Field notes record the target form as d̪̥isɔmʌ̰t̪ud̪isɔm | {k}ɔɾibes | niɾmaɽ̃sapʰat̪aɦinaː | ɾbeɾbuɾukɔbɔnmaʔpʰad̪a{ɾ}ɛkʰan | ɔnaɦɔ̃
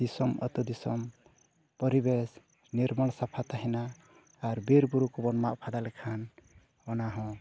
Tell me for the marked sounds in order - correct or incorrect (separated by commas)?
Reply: incorrect, incorrect